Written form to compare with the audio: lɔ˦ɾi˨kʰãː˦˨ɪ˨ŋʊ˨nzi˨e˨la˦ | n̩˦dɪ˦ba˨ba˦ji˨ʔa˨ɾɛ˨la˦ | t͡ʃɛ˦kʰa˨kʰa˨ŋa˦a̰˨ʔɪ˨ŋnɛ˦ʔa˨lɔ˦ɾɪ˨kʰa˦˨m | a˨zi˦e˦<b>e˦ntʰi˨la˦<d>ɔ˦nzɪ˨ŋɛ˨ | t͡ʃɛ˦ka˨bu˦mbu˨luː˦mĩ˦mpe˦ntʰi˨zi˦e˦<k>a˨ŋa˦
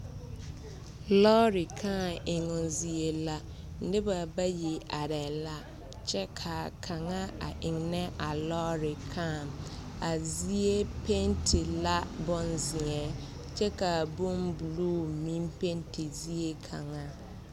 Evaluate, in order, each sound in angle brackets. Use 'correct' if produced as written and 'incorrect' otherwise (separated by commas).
incorrect, incorrect, incorrect